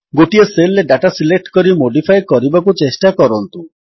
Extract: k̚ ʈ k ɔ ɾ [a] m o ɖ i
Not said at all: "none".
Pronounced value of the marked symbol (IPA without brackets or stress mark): i